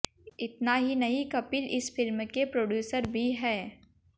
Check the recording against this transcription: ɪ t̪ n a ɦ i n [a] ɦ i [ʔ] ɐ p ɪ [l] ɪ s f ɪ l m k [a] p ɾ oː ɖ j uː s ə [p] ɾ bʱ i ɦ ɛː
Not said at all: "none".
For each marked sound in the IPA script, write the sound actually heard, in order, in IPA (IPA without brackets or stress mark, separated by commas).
ɐ, k, l, e, none